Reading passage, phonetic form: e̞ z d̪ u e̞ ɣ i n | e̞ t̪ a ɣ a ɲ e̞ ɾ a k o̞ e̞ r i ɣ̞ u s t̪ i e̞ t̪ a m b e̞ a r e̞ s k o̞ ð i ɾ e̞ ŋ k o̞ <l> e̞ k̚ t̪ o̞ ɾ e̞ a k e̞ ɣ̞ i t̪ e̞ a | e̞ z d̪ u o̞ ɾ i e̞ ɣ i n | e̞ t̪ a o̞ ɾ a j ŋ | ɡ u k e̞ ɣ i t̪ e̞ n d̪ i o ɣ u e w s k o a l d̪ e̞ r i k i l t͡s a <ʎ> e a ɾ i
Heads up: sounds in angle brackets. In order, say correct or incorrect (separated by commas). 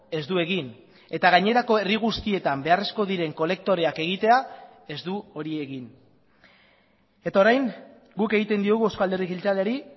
correct, incorrect